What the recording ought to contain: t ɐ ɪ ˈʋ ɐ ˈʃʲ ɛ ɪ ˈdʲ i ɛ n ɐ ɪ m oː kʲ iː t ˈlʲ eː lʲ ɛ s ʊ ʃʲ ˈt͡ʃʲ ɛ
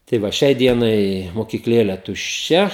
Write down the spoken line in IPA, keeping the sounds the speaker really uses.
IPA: t ɐ ɪ ˈʋ ɐ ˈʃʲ ɛ ɪ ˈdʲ i ɛ n ɐ ɪ m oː kʲ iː k ˈlʲ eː lʲ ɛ t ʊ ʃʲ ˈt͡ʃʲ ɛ